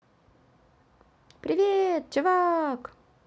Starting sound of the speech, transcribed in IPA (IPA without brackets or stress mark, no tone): p